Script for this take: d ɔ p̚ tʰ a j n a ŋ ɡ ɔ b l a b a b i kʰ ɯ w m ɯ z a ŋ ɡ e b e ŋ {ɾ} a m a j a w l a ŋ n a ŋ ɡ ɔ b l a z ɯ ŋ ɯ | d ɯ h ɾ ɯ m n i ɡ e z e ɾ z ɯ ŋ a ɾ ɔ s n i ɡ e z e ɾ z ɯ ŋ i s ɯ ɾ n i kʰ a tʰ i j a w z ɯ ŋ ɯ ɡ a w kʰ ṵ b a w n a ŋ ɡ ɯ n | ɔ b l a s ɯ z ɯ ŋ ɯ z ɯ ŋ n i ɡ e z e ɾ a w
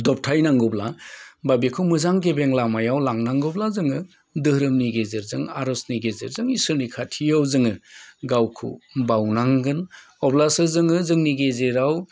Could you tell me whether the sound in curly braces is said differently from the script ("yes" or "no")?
yes